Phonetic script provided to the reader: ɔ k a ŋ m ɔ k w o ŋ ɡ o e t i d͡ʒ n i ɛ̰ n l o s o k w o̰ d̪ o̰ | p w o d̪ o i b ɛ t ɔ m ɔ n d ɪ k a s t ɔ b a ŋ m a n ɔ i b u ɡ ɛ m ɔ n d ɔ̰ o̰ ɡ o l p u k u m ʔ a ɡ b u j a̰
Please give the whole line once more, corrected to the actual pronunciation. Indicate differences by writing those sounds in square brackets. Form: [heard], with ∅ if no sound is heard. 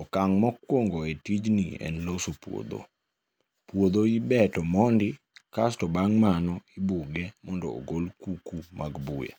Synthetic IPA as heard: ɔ k a ŋ m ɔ k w o ŋ ɡ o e t i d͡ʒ n i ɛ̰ n l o s o [p] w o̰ d̪ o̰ | p w o d̪ o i b ɛ t ɔ m ɔ n d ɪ k a s t ɔ b a ŋ m a n ɔ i b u ɡ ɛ m ɔ n d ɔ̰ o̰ ɡ o l [k] u k u m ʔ a ɡ b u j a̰